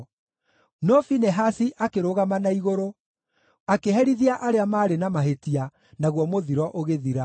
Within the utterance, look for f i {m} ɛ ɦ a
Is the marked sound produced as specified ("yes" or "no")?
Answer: no